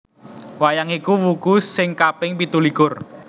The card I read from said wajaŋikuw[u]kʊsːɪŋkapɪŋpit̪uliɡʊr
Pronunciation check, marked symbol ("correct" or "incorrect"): correct